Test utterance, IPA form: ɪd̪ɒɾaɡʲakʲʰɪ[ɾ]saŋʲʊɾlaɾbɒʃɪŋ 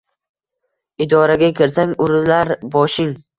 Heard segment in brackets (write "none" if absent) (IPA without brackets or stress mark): ɾ